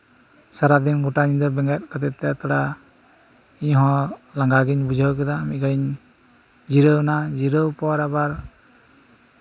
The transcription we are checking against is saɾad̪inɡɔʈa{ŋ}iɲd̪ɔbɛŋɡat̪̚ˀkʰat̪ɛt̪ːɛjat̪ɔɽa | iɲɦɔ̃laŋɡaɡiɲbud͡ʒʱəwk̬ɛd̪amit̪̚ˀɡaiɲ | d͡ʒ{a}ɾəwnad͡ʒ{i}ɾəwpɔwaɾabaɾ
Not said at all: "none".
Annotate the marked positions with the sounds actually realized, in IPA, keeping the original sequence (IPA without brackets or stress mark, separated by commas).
ɲ, i, i